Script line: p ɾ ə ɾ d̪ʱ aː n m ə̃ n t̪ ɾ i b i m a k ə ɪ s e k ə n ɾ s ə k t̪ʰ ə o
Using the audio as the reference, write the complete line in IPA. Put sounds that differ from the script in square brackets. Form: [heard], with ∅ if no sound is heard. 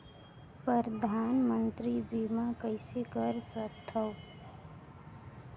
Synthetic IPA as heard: p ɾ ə ɾ d̪ʱ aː n m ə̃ n t̪ ɾ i b i m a k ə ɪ s e k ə [∅] ɾ s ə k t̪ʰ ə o